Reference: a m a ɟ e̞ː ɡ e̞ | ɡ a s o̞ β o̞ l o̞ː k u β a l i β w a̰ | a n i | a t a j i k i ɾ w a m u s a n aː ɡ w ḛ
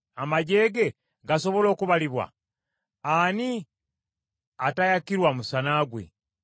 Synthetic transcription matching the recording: a m a ɟ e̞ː ɡ e̞ | ɡ a s o̞ β o̞ l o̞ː k u β a l i β w a̰ | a n i | a t a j a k i ɾ w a m u s a n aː ɡ w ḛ

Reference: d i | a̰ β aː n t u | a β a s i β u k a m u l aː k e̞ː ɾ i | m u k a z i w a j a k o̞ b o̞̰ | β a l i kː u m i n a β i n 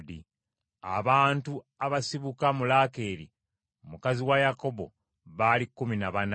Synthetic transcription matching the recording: d i | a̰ β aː n t u | a β a s i β u k a m u l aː k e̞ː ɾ i | m u k a z i w a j a k o̞ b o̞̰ | β a l i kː u m i n a β a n

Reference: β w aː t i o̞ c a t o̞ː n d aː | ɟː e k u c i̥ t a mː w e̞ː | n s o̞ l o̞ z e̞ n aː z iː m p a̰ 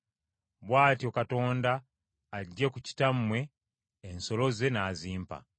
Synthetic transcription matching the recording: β w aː t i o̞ k a t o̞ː n d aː | ɟː e k u c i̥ t a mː w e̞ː | n s o̞ l o̞ z e̞ n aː z iː m p a̰

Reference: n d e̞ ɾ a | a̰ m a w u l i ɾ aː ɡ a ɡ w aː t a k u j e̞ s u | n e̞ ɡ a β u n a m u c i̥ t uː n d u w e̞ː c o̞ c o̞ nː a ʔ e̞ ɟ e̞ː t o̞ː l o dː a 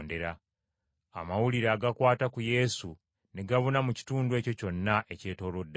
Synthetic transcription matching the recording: n d e̞ ɾ a | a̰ m a w u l i ɾ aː ɡ a k w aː t a k u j e̞ s u | n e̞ ɡ a β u n a m u c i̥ t uː n d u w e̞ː c o̞ c o̞ nː a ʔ e̞ c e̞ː t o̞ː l o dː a

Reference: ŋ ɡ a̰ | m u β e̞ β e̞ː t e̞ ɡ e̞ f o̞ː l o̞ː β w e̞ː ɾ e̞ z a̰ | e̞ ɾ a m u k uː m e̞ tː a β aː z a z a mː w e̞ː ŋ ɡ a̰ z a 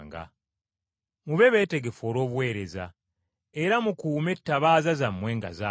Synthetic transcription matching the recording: ŋ ɡ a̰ | m u β e̞ β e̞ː t e̞ ɡ e̞ f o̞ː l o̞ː β w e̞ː ɾ e̞ z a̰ | e̞ ɾ a m u k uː m e̞ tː a β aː z a z a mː w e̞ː ŋ ɡ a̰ z a

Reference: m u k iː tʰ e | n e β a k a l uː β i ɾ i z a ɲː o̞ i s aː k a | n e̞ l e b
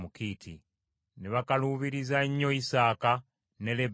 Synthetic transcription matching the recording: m u k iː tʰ i | n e β a k a l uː β i ɾ i z a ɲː o̞ i s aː k a | n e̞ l e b

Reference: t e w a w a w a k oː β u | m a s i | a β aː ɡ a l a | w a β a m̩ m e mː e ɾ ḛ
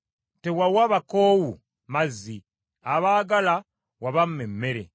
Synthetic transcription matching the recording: t e w a w a β a k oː w u | m a z i | a β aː ɡ a l a | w a β a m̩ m e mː e ɾ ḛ

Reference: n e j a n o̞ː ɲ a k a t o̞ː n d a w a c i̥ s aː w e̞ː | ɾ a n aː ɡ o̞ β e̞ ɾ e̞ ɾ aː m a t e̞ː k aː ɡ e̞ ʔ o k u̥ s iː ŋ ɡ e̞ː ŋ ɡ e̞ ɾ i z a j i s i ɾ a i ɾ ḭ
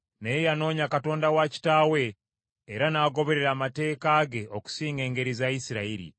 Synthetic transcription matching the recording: n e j a n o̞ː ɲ a k a t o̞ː n d a w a c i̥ t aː w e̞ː | ɾ a n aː ɡ o̞ β e̞ ɾ e̞ ɾ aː m a t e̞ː k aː ɡ e̞ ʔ o k u̥ s iː ŋ ɡ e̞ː ŋ ɡ e̞ ɾ i z a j i s i ɾ a i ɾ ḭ

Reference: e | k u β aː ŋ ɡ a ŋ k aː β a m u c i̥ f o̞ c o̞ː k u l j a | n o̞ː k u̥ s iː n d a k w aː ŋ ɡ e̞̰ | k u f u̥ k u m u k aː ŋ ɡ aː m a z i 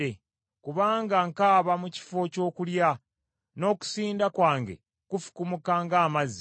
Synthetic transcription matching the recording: e | k u β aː ŋ ɡ a ŋ k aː β a m u c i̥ f o̞ c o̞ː k u l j a | n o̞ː k u̥ s iː n d a k w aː ŋ ɡ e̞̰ | k u f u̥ k u m u k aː ŋ ɡ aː m a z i

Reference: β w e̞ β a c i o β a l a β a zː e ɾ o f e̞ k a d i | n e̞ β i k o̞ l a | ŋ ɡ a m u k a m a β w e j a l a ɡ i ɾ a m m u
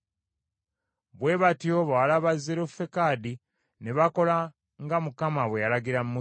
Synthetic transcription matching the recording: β w e̞ β a t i o β a l a β a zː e ɾ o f e̞ k a d i | n e̞ β a k o̞ l a | ŋ ɡ a m u k a m a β w e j a l a ɡ i ɾ a m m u

